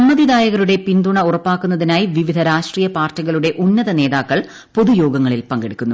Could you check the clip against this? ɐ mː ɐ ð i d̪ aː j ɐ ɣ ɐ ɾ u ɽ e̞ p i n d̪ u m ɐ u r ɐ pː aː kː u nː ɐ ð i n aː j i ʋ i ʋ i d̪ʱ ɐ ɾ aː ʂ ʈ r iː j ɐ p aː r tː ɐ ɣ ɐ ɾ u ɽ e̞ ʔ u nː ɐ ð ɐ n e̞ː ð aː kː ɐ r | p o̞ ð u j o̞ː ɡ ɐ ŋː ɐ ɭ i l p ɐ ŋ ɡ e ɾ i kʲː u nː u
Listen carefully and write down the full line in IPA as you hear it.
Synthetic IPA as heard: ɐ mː ɐ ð i d̪ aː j ɐ ɣ ɐ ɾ u ɽ e̞ p i n d̪ u ɳ ɐ u r ɐ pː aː kː u nː ɐ ð i n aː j i ʋ i ʋ i d̪ʱ ɐ ɾ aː ʂ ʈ r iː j ɐ p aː r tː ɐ ɣ ɐ ɭ u ɽ e̞ ʔ u nː ɐ ð ɐ n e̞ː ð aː kː ɐ ɭ | p o̞ ð u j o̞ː ɡ ɐ ŋː ɐ ɭ i l p ɐ ŋ ɡ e ɽ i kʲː u nː u

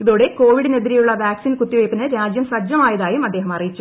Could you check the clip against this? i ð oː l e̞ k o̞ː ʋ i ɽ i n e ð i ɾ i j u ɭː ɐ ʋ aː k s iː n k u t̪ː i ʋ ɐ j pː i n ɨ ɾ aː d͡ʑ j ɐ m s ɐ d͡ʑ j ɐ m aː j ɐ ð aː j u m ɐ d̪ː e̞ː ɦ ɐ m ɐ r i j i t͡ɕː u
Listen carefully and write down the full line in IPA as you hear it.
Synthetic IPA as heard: i ð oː ɽ e̞ k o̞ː ʋ i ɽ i n e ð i ɾ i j u ɭː ɐ ʋ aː k s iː n k u t̪ː i ʋ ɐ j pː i n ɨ ɾ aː d͡ʑ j ɐ m s ɐ d͡ʑ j ɐ m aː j ɐ ð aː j u m ɐ d̪ː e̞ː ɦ ɐ m ɐ r i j i t͡ɕː u

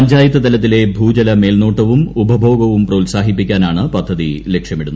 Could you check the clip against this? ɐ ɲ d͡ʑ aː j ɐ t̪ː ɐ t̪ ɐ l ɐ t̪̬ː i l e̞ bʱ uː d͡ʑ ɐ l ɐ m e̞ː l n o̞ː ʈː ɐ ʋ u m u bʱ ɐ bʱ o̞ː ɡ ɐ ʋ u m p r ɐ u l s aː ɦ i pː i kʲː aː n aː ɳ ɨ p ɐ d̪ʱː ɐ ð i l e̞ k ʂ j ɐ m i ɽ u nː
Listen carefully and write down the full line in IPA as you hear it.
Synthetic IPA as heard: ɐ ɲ d͡ʑ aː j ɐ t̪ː ɐ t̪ ɐ l ɐ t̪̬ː i l e̞ bʱ uː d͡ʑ ɐ l ɐ m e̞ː l n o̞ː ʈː ɐ ʋ u m u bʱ ɐ bʱ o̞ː ɡ ɐ ʋ u m p r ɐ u l s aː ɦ i pː i kʲː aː n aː ɳ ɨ p ɐ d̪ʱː ɐ ð i l e̞ k ʂ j ɐ m i ɽ u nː

